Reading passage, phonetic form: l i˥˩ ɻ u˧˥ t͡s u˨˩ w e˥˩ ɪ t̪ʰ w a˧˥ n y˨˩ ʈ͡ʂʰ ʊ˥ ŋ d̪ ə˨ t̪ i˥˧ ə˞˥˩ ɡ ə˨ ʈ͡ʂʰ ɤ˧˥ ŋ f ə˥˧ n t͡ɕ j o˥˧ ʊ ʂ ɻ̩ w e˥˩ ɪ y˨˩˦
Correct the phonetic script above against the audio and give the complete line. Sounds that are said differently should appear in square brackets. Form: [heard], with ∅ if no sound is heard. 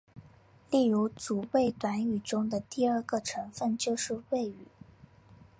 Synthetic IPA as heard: l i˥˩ ɻ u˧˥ t͡s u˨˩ w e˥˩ ɪ [t̪] w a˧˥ n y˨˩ [ʈ͡ʂ] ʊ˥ ŋ d̪ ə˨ t̪ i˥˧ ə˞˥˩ ɡ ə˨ ʈ͡ʂʰ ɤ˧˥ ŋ f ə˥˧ n t͡ɕ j o˥˧ ʊ ʂ ɻ̩ w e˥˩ ɪ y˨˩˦